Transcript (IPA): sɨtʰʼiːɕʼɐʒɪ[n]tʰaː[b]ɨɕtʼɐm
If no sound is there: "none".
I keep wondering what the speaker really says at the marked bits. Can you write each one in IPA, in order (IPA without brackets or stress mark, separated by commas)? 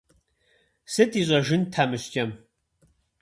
n, m